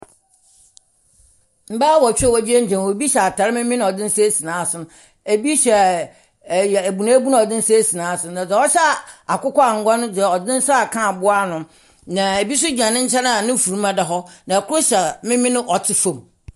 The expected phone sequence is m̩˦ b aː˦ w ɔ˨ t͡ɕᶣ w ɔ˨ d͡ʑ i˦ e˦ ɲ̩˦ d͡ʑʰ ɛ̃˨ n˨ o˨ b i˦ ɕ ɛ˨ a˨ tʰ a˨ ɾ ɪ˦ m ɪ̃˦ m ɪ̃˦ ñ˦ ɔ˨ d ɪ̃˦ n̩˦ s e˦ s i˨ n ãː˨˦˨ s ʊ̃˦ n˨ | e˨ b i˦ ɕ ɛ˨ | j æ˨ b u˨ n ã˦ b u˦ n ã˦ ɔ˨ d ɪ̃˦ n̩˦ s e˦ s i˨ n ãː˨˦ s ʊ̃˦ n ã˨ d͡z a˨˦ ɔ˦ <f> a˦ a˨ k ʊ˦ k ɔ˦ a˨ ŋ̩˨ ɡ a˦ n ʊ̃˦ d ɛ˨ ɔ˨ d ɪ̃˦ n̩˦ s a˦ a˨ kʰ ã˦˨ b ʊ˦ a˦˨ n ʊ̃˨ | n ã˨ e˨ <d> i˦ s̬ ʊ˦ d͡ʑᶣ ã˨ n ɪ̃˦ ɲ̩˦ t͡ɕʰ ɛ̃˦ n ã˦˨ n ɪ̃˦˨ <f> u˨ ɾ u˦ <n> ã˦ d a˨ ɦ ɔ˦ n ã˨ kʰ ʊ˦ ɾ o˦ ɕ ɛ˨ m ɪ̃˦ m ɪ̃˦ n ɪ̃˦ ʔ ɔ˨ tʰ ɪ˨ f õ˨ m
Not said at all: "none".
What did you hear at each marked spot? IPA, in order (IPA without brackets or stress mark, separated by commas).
ɕ, b, f, m